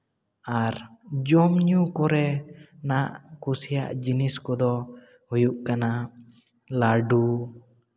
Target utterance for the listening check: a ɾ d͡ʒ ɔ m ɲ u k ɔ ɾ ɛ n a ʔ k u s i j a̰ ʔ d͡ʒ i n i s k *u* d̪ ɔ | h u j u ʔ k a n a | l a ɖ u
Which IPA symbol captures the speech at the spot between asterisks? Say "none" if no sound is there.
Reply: ɔ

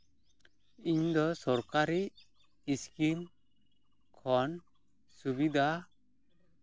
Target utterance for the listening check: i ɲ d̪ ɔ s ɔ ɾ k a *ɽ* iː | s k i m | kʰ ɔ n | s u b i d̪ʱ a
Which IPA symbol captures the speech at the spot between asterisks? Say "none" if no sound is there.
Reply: ɾ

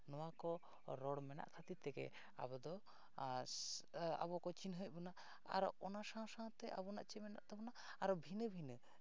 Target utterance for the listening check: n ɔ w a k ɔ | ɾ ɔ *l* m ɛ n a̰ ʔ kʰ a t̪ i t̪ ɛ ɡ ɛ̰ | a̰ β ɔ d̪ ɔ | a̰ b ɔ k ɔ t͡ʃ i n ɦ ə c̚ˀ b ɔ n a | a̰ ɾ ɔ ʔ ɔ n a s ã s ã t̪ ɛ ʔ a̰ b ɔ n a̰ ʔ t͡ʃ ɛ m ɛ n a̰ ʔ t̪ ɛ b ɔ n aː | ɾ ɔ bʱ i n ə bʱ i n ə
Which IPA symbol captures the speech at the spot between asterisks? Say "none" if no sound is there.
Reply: ɽ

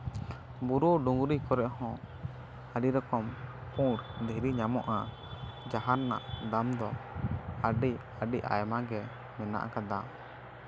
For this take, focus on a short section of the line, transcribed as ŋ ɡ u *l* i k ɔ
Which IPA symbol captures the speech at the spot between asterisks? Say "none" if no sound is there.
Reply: ɾ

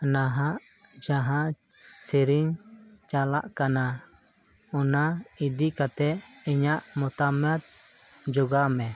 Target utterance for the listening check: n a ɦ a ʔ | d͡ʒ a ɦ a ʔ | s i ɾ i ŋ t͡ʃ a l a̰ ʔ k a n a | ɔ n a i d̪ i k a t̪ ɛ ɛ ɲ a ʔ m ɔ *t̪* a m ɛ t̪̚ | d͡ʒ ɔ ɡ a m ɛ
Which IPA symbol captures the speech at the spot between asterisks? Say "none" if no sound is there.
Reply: t̪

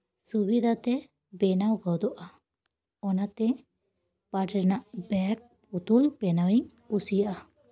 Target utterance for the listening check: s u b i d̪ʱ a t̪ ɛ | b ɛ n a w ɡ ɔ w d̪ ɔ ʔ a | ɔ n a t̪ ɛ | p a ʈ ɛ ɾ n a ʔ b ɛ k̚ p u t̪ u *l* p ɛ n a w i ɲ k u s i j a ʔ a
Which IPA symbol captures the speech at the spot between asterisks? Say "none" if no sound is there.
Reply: l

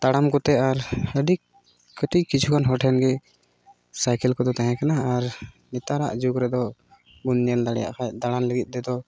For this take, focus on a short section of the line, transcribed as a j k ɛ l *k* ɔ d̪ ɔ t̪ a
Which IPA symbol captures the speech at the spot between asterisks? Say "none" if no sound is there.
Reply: k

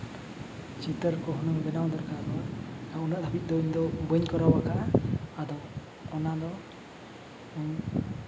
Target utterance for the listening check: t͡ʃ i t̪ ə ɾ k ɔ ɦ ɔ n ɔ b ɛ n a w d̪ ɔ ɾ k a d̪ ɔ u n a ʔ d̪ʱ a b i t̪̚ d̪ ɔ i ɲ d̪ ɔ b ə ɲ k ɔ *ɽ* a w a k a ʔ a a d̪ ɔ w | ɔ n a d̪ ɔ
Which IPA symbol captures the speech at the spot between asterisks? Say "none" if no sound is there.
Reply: ɾ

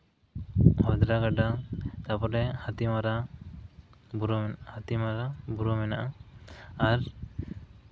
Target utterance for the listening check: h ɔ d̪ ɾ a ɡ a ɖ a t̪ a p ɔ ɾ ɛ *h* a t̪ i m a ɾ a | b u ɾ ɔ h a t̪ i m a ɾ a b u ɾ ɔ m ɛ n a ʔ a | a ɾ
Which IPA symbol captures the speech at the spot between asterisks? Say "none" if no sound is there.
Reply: h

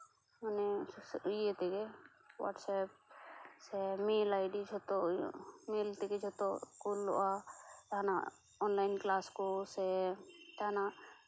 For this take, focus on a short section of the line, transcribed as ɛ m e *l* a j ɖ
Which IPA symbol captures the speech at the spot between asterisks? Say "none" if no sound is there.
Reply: l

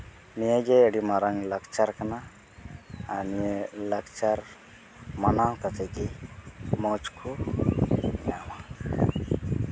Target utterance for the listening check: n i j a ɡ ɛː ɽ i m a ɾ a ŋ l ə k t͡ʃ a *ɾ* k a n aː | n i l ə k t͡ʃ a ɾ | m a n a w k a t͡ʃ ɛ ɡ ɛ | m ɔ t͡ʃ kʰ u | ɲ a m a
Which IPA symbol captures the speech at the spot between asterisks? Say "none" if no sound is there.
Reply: ɾ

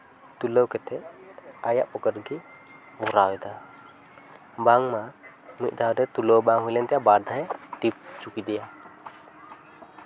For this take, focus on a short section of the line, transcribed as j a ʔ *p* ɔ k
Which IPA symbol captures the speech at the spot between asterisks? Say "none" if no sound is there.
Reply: p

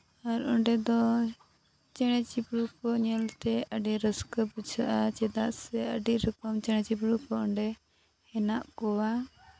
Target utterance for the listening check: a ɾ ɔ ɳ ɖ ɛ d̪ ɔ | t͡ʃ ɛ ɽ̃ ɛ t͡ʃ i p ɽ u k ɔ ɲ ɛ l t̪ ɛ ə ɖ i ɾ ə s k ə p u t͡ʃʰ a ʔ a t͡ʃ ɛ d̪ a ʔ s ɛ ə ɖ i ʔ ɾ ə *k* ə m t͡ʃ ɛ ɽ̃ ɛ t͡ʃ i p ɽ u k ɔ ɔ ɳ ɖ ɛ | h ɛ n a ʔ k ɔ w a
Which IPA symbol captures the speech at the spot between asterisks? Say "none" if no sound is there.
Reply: k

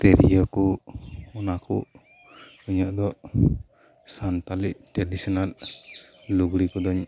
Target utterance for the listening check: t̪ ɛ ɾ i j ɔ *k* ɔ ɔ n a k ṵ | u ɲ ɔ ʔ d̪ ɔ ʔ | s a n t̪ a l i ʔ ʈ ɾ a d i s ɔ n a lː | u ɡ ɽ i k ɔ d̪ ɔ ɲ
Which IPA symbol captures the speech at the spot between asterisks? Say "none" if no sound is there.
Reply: k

